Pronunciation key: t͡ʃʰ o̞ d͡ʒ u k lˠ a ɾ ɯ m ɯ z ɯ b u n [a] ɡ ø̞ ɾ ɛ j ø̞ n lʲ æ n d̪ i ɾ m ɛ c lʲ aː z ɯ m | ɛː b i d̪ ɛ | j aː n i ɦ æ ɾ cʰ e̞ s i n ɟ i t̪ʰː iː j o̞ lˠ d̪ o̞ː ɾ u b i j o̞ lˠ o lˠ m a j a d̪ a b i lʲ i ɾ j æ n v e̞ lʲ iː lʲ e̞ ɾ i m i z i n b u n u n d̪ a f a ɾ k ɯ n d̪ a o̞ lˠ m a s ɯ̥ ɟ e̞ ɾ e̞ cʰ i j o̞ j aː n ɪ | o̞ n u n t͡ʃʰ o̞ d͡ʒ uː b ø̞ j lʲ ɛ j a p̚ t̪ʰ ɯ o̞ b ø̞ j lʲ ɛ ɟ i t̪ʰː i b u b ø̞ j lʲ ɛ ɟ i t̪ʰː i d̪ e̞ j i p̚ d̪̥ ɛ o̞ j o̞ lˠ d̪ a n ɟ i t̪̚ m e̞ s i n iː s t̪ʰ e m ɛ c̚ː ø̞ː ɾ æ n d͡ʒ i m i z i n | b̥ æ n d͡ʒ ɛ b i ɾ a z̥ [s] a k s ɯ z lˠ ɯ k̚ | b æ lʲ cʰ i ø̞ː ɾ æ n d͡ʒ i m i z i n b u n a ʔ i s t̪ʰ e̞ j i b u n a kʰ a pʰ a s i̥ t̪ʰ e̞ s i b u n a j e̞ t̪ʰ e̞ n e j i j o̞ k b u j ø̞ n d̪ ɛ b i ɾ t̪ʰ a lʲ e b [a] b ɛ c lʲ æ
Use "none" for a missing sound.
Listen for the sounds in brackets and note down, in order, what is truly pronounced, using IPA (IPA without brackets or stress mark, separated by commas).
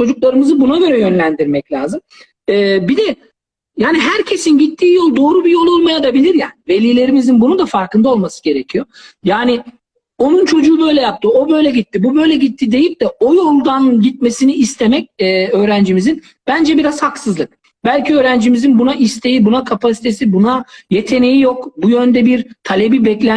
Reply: a, h, i